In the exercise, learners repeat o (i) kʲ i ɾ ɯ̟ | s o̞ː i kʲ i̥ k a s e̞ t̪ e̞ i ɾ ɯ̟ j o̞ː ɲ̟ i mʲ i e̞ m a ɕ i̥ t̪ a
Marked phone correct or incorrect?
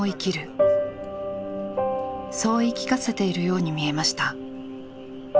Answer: correct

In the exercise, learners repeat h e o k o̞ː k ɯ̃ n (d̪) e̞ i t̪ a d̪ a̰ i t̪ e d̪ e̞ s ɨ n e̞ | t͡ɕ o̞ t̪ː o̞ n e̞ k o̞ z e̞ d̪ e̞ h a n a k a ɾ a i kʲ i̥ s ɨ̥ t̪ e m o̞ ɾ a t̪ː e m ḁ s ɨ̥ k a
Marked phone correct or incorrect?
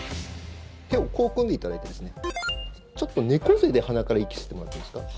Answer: correct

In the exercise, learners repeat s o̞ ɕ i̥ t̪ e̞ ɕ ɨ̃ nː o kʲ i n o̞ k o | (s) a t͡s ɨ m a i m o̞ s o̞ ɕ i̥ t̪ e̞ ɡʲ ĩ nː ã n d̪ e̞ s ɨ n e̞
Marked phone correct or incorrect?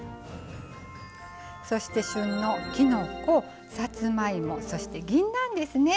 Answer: correct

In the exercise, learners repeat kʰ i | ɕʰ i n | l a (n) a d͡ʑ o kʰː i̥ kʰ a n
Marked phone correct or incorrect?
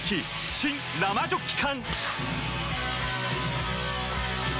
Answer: incorrect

